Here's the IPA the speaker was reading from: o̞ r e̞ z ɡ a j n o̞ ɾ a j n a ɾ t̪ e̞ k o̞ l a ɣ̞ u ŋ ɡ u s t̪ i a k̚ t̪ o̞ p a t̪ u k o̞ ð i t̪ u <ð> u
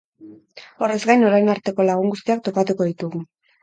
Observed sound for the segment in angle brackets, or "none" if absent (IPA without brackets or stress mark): ɣ